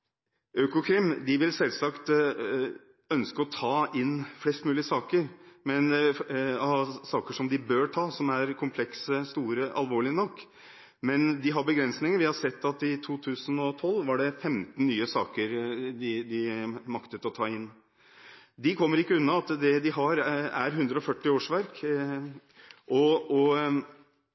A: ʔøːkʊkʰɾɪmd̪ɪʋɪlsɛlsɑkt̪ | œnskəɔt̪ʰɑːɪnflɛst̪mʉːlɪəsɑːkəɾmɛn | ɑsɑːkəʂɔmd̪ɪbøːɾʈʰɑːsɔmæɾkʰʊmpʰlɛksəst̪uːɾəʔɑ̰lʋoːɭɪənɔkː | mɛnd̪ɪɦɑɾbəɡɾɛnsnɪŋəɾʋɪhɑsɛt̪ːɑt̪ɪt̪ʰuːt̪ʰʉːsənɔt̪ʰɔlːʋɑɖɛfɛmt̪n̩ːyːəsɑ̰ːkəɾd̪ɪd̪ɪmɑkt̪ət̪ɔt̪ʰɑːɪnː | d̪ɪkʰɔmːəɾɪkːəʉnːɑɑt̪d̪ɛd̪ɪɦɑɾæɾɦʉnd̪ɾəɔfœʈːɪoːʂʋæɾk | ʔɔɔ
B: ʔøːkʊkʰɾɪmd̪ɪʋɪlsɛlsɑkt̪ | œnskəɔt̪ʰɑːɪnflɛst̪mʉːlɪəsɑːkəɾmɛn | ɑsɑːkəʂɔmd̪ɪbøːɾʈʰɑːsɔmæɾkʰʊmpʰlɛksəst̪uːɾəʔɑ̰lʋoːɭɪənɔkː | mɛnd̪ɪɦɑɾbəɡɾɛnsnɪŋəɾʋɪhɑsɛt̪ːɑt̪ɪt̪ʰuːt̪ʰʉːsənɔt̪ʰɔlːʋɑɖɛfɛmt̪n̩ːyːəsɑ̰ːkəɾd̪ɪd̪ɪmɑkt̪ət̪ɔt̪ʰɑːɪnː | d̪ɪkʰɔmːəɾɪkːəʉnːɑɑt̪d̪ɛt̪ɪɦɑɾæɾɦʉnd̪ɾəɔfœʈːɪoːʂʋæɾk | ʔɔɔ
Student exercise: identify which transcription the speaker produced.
A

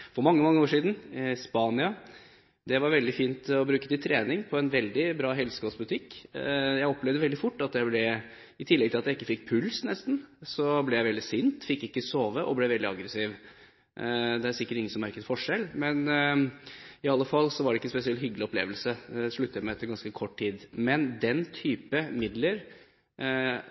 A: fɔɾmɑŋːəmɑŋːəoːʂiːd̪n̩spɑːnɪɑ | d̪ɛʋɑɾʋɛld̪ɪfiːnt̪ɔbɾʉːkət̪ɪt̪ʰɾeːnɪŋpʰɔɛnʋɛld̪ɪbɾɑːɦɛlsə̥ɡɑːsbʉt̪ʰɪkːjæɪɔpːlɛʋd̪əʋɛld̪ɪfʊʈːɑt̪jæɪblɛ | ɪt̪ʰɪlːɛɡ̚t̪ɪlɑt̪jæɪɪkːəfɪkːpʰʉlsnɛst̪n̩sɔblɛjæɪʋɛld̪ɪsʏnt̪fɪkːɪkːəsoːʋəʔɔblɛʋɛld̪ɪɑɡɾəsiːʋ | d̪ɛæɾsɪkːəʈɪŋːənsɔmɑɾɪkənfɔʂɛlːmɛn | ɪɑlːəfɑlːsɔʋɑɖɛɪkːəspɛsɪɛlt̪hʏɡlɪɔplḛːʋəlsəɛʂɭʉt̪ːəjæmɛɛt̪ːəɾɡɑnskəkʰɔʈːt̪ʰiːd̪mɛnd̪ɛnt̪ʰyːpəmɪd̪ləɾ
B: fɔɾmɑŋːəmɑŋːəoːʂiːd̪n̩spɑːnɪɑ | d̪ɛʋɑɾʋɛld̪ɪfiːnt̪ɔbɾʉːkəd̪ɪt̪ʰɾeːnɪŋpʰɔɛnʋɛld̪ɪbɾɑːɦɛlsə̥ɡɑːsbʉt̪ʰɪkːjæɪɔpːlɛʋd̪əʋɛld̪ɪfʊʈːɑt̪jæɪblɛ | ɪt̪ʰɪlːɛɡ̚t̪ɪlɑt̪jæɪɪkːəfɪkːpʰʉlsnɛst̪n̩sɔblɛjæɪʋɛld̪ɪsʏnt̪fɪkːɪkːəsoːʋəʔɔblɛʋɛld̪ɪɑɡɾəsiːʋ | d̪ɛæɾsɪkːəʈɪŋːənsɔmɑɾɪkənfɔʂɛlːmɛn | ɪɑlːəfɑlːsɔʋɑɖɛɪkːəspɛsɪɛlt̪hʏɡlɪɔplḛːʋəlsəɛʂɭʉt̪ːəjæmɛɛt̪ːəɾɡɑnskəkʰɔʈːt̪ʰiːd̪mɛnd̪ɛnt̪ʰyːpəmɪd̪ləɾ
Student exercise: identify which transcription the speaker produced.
A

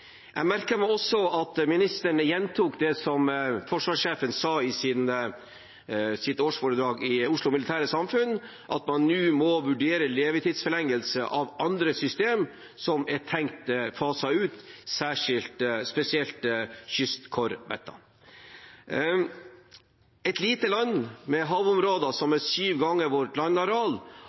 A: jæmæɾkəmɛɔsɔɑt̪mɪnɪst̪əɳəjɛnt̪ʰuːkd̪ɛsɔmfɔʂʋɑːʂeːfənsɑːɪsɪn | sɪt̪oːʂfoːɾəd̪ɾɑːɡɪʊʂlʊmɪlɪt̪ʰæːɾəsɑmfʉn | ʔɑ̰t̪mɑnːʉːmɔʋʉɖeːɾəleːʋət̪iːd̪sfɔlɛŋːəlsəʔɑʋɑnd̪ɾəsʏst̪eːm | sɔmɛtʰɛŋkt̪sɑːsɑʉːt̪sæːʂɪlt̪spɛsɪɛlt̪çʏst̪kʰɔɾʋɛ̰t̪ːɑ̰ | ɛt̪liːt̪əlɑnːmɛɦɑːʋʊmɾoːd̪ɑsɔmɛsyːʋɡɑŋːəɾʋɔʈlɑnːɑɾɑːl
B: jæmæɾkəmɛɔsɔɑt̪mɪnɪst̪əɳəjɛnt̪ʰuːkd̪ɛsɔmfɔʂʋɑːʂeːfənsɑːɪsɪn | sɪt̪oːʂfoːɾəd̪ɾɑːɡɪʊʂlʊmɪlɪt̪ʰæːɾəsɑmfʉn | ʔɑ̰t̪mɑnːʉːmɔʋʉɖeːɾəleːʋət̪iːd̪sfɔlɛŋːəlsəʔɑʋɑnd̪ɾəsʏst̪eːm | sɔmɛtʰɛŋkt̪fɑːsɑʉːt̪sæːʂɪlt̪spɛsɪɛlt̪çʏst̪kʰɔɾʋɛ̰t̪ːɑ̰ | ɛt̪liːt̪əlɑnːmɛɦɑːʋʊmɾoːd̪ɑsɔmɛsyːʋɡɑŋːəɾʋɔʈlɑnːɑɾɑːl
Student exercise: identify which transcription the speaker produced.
B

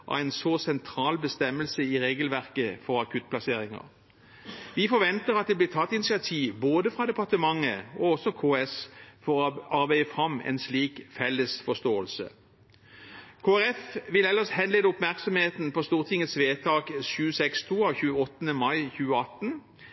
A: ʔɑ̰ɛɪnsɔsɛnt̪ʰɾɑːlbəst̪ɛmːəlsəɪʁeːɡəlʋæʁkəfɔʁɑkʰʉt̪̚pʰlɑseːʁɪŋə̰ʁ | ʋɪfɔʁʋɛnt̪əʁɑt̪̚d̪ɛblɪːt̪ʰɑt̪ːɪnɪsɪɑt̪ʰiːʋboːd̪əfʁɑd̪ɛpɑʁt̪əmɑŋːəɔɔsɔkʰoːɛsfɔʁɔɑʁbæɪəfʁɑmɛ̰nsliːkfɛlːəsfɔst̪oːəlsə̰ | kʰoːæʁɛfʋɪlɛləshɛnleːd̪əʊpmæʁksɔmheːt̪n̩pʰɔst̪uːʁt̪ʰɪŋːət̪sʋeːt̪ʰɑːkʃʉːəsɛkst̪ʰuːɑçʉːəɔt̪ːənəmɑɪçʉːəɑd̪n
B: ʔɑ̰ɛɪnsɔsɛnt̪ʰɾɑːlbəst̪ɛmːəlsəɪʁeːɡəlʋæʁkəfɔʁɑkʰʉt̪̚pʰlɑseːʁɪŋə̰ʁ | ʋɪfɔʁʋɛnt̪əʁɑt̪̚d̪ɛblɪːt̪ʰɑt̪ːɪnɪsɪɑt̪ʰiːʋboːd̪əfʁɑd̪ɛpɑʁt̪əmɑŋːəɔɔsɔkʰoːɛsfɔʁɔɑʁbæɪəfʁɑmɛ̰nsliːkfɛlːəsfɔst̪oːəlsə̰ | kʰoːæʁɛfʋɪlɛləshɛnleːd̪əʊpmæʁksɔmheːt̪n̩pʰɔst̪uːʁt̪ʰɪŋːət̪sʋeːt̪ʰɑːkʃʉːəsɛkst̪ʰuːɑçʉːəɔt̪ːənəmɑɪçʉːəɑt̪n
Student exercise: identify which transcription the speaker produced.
B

